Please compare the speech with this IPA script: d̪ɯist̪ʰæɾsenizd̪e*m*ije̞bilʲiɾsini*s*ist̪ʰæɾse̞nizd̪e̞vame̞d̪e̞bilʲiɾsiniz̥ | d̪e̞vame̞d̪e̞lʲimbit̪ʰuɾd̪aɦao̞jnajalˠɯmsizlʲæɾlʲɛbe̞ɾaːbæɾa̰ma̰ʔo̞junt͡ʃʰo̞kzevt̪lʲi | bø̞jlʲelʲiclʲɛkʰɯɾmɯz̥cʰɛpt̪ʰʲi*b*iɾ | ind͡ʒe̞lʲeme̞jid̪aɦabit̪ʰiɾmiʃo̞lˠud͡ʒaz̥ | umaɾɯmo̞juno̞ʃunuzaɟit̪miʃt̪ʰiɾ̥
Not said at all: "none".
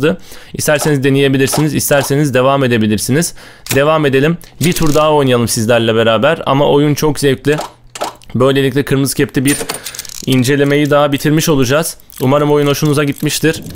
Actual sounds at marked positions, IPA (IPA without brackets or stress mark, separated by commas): n, z, b